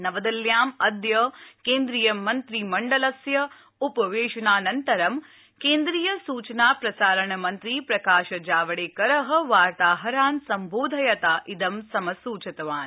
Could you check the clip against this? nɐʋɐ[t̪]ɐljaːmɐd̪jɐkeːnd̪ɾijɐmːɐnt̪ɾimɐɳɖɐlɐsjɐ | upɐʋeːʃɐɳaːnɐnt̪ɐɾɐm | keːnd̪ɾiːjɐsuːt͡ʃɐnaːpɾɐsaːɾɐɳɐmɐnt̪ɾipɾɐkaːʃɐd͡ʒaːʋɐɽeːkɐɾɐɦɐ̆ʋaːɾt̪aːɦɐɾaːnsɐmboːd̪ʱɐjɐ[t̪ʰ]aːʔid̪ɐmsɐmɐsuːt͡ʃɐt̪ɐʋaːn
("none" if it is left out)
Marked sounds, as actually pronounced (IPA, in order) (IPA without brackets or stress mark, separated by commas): d̪, t̪